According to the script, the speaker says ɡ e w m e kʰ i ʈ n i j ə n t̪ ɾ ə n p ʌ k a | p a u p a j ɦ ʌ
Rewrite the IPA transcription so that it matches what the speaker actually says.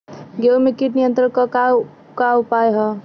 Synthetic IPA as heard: ɡ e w m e k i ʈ n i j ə n t̪ ɾ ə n k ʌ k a | k a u p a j ɦ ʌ